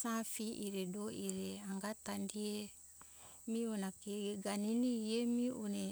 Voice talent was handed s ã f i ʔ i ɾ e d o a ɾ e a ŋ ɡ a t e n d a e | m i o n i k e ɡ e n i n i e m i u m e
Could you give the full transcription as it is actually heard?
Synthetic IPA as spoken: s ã f i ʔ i ɾ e d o i ɾ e a ŋ ɡ a t a n d i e | m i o n a k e ɡ a n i n i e m i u n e